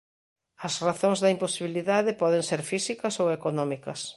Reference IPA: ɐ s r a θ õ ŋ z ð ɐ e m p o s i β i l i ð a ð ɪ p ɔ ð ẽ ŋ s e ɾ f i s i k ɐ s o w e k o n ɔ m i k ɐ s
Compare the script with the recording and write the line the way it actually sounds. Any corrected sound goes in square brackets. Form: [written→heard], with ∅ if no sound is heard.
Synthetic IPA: ɐ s r a θ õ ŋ z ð ɐ [e→i] m p o s i β i l i ð a ð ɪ p ɔ ð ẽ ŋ s e ɾ f i s i k ɐ s o w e k o n ɔ m i k ɐ s

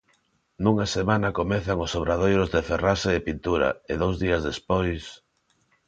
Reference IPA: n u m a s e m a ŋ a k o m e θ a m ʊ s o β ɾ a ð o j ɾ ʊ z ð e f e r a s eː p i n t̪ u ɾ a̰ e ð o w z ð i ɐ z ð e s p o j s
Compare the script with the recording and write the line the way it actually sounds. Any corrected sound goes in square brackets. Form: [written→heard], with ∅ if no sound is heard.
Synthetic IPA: n u [m→ŋ] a s e m a [ŋ→n] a k o m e θ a [m→ŋ] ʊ s o β ɾ a ð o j ɾ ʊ z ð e f e r a s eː p i n t̪ u ɾ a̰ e ð o w z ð i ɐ z ð e s p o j s

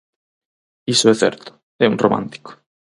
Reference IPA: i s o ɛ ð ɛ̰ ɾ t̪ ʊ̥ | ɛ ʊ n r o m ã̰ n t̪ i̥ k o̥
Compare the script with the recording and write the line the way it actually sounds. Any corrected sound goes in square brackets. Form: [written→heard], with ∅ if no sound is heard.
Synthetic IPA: i s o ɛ [ð→θ] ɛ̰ ɾ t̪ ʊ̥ | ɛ [ʊ→u] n r o m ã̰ n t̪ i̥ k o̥

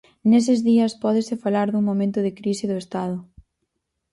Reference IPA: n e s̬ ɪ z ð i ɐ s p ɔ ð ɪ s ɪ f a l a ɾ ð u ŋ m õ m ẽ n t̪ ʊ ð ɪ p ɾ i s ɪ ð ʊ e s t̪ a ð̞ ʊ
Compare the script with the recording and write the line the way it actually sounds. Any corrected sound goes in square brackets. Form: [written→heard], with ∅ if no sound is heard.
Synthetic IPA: n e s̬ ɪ z ð i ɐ s p ɔ ð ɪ s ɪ f a l a ɾ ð u ŋ m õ m ẽ n t̪ ʊ ð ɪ [p→k] ɾ i s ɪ ð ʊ e s t̪ a ð̞ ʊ

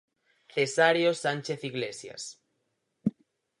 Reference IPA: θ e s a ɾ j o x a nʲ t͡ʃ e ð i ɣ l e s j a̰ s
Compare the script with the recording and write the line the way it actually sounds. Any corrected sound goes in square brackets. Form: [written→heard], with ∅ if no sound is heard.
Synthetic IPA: θ e s a ɾ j o [x→s] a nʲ t͡ʃ e [ð→θ] i ɣ l e s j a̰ s

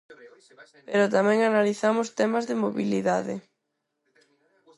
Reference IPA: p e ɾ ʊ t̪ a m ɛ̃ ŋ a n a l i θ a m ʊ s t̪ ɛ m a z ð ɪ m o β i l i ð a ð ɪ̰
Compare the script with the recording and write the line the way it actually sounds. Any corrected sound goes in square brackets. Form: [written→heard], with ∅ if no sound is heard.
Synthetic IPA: p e ɾ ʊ t̪ a m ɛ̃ ŋ a n a l i θ a m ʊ s t̪ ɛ m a z ð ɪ m o β i l i ð a ð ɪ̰

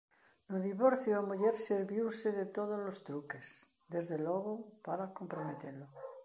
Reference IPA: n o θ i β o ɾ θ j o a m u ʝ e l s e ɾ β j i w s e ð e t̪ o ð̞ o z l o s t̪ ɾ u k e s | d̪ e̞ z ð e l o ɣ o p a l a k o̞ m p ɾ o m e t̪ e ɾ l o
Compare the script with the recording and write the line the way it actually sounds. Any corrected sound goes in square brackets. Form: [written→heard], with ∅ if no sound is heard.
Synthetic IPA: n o [θ→ð] i β o ɾ θ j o a m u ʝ e [l→ɾ] s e ɾ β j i w s e ð e t̪ o ð̞ o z l o s t̪ ɾ u k e s | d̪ e̞ z ð e l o ɣ o p a [l→ɾ] a k o̞ m p ɾ o m e t̪ e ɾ l o

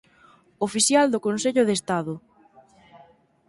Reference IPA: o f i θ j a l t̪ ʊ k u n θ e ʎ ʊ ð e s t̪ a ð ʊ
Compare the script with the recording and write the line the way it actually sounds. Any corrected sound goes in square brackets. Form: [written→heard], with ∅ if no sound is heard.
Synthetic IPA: o f i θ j a l [t̪→d̪] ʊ k [u→o] n [θ→s] e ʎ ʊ ð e s t̪ a ð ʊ

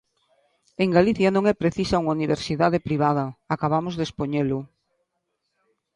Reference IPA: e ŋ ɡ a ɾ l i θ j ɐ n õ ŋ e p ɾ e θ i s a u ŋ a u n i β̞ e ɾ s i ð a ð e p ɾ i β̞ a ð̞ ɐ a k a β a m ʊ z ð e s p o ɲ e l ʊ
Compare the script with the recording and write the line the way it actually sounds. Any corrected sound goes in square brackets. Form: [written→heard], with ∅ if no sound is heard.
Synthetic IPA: e ŋ ɡ a [ɾ→∅] l i θ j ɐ n õ ŋ [e→ɛ] p ɾ e θ i s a u ŋ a u n i β̞ e ɾ s i ð a ð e p ɾ i β̞ a ð̞ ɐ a k a β a m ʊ z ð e s p o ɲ e l ʊ

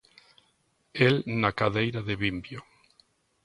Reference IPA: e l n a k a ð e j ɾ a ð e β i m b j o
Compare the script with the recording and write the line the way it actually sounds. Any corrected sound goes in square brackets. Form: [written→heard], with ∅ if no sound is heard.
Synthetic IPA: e l n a k a ð e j ɾ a ð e β i m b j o

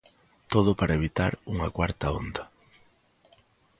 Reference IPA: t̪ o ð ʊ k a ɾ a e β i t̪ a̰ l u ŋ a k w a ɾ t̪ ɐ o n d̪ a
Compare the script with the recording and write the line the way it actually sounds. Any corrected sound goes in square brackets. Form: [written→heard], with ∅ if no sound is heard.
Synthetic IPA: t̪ o ð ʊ [k→p] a ɾ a e β i t̪ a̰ [l→ɾ] u ŋ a k w a ɾ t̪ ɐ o n d̪ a

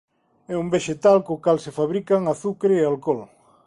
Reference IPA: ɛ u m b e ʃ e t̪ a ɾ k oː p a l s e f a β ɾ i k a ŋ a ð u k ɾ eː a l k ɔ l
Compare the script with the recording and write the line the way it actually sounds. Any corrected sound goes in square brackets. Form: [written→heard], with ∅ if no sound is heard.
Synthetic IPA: ɛ u m b e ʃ e t̪ a [ɾ→l] k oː [p→k] a l s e f a β ɾ i k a ŋ a [ð→θ] u k ɾ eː a l k ɔ l

